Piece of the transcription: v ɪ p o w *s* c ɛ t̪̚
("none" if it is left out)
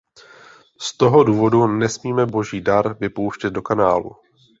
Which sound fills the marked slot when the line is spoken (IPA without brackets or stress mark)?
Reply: ʃ